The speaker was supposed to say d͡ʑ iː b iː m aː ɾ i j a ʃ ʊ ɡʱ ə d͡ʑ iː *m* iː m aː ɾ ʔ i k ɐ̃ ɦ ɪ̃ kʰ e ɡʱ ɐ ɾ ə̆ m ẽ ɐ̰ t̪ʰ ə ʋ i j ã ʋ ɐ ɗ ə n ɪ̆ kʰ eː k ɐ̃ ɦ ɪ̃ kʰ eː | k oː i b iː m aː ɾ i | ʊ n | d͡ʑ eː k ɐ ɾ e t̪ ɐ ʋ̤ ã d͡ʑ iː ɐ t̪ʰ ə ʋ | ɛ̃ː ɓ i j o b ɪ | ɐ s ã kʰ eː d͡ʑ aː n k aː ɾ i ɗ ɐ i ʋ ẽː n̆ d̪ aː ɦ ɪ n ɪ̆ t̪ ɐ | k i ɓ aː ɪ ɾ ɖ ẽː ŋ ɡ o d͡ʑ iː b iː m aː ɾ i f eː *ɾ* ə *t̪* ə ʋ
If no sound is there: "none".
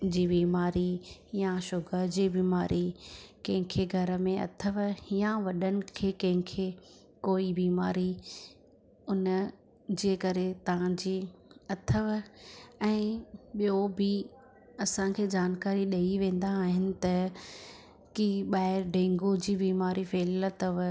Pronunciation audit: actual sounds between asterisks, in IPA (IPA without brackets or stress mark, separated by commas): b, l, t̪